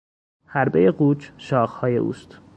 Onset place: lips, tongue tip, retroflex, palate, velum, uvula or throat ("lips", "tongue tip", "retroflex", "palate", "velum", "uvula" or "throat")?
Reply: throat